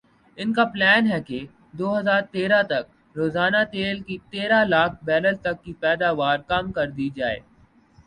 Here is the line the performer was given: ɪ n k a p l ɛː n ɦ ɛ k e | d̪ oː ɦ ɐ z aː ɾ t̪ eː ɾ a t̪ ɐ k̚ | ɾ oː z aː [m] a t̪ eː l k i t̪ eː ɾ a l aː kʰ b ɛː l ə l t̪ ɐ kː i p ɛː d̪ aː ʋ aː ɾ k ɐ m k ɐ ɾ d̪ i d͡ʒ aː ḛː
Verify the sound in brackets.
incorrect: n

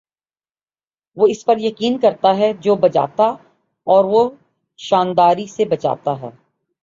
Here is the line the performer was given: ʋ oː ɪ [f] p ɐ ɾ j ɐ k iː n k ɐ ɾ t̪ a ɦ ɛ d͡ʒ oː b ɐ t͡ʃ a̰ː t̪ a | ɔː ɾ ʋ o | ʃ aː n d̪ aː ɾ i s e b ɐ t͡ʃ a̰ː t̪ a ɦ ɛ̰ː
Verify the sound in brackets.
incorrect: s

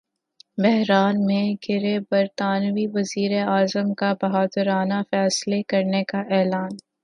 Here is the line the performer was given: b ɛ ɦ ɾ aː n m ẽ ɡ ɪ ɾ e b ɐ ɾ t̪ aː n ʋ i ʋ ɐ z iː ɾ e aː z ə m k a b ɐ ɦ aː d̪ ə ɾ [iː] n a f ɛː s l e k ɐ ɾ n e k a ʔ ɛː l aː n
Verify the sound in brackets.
incorrect: aː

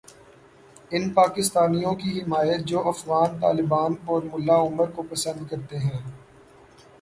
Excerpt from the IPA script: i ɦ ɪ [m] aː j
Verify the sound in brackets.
correct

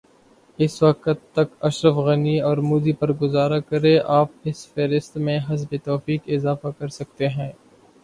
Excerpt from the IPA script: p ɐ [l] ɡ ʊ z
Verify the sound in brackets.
incorrect: ɾ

